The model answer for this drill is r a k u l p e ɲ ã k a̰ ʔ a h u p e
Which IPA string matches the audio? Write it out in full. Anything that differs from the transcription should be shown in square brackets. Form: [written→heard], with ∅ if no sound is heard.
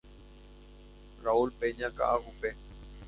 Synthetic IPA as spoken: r a [k→∅] u l p e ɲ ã k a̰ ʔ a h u p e